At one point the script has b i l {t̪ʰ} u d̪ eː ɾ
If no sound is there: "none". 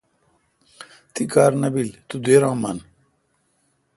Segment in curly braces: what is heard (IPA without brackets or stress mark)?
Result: t̪